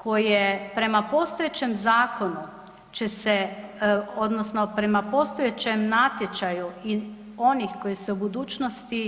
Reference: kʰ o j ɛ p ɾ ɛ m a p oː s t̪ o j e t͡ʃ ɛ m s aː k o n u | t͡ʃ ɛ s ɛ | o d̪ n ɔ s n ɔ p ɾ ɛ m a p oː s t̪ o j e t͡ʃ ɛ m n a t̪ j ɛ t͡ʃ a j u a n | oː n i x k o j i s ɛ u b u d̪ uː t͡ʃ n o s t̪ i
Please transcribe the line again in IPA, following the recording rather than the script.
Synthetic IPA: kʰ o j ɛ p ɾ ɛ m a p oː s t̪ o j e t͡ʃ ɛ m z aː k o n u | t͡ʃ ɛ s ɛ | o d̪ n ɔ s n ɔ p ɾ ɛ m a p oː s t̪ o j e t͡ʃ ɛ m n a t̪ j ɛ t͡ʃ a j u i n | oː n i x k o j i s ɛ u b u d̪ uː t͡ʃ n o s t̪ i